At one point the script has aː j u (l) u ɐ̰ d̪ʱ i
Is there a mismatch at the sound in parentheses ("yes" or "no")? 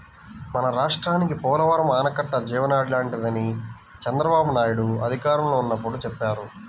yes